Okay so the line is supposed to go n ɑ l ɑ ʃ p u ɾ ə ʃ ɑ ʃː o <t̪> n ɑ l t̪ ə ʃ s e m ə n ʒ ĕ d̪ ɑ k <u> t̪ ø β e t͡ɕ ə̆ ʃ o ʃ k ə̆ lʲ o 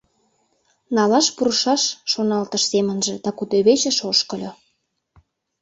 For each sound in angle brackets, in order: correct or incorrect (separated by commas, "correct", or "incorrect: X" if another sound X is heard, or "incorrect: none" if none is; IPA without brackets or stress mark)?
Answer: incorrect: none, correct